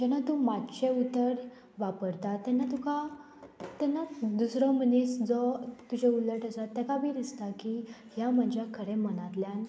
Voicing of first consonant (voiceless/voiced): voiced